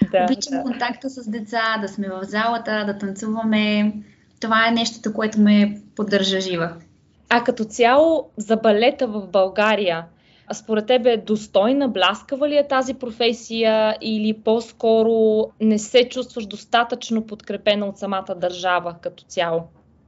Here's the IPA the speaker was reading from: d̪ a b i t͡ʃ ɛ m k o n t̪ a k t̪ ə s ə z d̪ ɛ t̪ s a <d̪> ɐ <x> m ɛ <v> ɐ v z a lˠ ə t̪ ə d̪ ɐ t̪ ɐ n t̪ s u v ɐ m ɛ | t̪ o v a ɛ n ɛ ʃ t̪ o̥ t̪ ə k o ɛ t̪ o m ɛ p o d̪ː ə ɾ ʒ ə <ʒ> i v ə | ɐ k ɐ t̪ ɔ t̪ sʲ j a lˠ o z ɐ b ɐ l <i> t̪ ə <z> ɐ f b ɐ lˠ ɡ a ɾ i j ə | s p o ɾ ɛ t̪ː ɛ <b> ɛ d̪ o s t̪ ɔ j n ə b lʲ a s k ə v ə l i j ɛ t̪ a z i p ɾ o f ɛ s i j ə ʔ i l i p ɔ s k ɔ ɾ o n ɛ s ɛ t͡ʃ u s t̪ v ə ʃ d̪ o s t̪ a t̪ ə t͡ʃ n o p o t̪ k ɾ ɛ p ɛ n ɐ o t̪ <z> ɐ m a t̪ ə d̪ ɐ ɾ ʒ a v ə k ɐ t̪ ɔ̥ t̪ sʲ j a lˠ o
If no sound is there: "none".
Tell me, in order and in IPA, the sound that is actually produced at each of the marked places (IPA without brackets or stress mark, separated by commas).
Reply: d̪, s, v, ʒ, ɛ, v, b, s